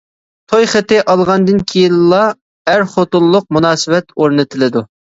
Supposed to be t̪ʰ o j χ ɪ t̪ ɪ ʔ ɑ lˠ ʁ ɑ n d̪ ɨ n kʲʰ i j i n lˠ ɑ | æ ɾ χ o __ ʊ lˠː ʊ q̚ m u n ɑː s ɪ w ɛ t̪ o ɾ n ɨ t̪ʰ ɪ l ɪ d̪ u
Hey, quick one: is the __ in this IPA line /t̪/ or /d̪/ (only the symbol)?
t̪